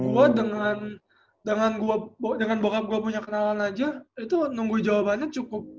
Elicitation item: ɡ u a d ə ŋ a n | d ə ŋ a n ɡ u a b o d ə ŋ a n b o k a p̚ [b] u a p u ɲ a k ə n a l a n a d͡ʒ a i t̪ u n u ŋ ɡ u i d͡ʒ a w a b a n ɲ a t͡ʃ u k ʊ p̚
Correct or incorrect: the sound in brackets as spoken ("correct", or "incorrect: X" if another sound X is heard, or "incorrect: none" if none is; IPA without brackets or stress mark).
incorrect: ɡ